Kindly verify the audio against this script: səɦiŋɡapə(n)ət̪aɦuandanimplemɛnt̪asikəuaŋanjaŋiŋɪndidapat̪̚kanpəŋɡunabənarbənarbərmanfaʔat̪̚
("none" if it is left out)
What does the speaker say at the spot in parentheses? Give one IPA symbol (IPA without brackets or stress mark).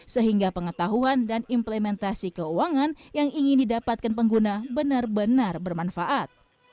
ŋ